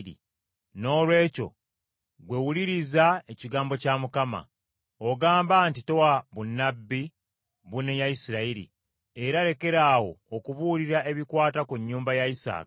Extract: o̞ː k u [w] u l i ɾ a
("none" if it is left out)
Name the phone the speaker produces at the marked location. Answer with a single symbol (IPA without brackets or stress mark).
β